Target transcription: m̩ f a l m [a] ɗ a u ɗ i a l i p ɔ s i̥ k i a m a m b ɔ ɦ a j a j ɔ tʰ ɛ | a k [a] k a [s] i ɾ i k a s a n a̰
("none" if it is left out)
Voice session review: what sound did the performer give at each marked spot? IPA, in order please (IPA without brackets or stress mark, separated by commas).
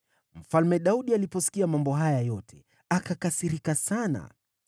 ɛ, a, s